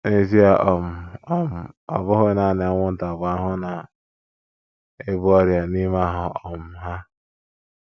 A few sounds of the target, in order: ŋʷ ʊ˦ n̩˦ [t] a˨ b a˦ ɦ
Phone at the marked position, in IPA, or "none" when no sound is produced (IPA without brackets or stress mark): t